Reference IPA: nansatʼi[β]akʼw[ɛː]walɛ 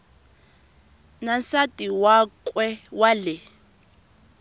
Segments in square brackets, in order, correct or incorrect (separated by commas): incorrect, incorrect